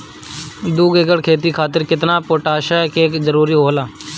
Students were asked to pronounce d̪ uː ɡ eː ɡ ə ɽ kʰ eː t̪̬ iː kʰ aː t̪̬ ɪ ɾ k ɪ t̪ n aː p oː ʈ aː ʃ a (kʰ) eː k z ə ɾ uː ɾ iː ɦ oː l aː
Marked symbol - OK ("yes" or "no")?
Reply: no